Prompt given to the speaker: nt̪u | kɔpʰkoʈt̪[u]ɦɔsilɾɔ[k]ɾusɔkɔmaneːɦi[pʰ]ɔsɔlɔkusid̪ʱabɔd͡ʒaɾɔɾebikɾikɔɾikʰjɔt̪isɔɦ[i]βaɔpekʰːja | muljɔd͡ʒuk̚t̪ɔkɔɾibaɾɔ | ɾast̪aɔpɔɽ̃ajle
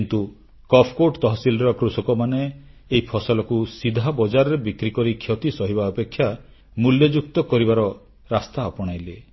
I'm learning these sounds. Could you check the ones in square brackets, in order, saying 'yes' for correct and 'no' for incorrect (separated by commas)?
no, yes, yes, yes